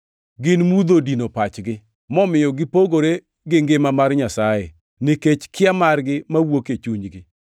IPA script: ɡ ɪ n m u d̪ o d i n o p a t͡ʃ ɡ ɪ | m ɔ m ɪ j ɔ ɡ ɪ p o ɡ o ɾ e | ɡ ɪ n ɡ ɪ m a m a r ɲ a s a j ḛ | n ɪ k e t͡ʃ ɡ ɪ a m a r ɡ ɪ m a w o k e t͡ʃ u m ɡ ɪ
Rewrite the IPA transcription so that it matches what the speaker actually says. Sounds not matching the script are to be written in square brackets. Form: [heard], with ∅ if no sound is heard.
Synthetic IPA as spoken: ɡ ɪ n m u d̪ o d i n o p a t͡ʃ ɡ ɪ | m ɔ m ɪ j ɔ ɡ ɪ p o ɡ o ɾ e | ɡ ɪ [ŋ] ɡ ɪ m a m a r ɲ a s a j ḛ | n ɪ k e t͡ʃ [k] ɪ a m a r ɡ ɪ m a w o k e t͡ʃ u [ɲ] ɡ ɪ

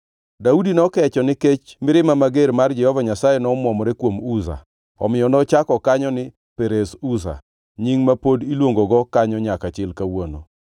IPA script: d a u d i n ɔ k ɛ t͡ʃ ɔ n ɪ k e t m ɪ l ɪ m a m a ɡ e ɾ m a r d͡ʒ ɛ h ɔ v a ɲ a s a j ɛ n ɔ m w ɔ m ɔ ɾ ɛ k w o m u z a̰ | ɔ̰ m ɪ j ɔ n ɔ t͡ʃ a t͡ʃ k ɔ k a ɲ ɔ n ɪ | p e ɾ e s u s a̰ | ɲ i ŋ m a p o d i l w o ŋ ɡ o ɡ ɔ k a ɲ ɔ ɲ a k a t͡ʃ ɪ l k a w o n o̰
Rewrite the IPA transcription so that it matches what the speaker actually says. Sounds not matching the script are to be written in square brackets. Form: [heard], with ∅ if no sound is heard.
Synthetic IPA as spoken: d a u d i n ɔ k ɛ t͡ʃ ɔ n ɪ k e [t͡ʃ] m ɪ [ɾ] ɪ m a m a ɡ e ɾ m a r d͡ʒ ɛ h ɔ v a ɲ a s a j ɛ n ɔ m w ɔ m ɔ ɾ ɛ k w o m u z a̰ | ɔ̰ m ɪ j ɔ n ɔ t͡ʃ a [∅] k ɔ k a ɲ ɔ n ɪ | p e ɾ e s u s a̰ | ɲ i ŋ m a p o d i l w o ŋ ɡ o ɡ ɔ k a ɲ ɔ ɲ a k a t͡ʃ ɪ l k a w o n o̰

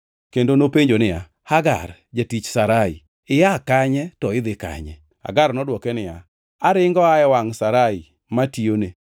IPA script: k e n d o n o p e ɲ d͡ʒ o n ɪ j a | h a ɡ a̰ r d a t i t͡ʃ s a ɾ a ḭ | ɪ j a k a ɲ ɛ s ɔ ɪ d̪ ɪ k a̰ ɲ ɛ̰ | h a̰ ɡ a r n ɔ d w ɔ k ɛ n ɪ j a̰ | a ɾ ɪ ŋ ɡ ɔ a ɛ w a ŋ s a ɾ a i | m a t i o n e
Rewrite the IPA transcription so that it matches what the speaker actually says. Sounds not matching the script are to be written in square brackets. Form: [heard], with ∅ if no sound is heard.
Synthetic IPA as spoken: k e n d o n o p e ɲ d͡ʒ o n ɪ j a | h a ɡ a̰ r [d͡ʒ] a t i t͡ʃ s a ɾ a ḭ | ɪ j a k a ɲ ɛ [t] ɔ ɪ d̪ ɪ k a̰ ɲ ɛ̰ | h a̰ ɡ a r n ɔ d w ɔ k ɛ n ɪ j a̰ | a ɾ ɪ ŋ ɡ ɔ a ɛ w a ŋ s a ɾ a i | m a t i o n e

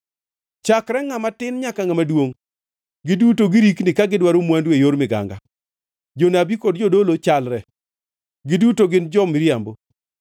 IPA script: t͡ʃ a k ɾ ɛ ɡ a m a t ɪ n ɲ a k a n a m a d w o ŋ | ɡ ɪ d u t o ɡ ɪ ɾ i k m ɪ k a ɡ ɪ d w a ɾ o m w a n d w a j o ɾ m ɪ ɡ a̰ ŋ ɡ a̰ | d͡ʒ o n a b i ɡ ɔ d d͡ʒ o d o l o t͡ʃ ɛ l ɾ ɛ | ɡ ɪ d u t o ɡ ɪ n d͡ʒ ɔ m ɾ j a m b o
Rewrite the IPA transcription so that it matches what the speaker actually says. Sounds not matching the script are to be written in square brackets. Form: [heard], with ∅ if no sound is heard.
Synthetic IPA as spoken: t͡ʃ a k ɾ ɛ [ŋ] a m a t ɪ n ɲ a k a [ŋ] a m a d w o ŋ | ɡ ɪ d u t o ɡ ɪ ɾ i k [n] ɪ k a ɡ ɪ d w a ɾ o m w a n d w [e] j o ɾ m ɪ ɡ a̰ ŋ ɡ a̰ | d͡ʒ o n a b i [k] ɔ d d͡ʒ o d o l o t͡ʃ [a] l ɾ ɛ | ɡ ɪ d u t o ɡ ɪ n d͡ʒ ɔ m ɾ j a m b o

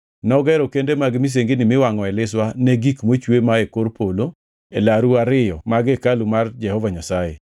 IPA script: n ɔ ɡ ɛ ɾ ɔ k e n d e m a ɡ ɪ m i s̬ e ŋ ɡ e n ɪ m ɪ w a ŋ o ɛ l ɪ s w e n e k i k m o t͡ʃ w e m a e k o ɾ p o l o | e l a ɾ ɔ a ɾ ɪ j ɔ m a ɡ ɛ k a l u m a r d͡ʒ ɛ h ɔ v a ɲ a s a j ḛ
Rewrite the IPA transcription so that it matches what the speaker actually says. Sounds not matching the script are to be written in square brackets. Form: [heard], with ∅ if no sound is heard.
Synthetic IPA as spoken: n ɔ ɡ ɛ ɾ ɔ k e n d e m a ɡ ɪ m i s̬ e ŋ ɡ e n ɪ m ɪ w a ŋ [ɔ] ɛ l ɪ s w [a] n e [ɡ] i k m o t͡ʃ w e m a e k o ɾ p o l o | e l a ɾ [u] a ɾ ɪ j ɔ m a ɡ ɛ k a l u m a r d͡ʒ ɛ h ɔ v a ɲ a s a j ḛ

